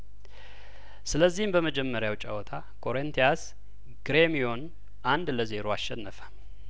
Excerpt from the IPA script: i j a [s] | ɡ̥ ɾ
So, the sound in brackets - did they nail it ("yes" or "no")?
yes